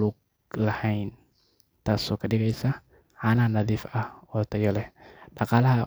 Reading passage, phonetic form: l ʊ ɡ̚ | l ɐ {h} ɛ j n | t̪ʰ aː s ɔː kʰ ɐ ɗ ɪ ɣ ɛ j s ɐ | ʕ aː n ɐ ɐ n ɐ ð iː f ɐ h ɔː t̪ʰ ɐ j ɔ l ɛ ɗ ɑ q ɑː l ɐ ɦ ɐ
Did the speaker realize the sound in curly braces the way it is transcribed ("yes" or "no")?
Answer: yes